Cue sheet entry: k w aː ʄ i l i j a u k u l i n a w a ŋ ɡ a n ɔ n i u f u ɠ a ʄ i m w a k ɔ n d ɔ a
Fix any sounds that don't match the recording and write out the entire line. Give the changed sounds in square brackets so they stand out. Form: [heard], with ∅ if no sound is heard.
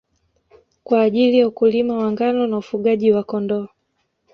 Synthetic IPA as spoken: k w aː ʄ i l i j a u k u l i [m] a w a ŋ ɡ a n ɔ n [a] u f u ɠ a ʄ i [∅] w a k ɔ n d ɔ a